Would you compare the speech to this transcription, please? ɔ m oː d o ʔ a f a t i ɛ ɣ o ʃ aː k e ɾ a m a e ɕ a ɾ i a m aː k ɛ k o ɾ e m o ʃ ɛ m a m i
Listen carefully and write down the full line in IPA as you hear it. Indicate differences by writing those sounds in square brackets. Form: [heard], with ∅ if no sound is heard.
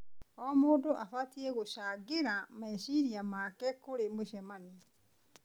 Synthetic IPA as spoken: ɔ m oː d o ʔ a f a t i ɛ ɣ o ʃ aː [ɡ] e ɾ a m a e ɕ [i] ɾ i a m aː k ɛ k o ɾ e m o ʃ ɛ m a [n] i